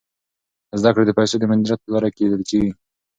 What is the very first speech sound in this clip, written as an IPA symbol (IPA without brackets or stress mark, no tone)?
z